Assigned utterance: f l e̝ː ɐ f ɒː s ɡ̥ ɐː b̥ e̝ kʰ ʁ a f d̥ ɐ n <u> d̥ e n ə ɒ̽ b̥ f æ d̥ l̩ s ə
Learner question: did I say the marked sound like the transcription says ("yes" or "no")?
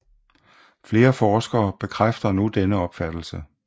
yes